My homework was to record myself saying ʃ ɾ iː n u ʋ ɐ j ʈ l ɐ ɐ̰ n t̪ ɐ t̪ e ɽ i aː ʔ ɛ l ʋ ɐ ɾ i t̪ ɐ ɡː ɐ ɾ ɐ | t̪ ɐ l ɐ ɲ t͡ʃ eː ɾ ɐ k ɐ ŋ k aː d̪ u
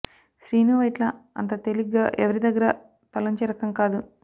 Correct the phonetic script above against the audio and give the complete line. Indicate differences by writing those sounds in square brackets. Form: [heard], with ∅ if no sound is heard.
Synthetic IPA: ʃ ɾ iː n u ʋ ɐ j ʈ l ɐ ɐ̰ n t̪ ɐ t̪ e [l] i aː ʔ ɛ [∅] ʋ ɐ ɾ i [d̪] ɐ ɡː ɐ ɾ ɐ | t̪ ɐ l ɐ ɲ t͡ʃ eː ɾ ɐ k ɐ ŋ k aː d̪ u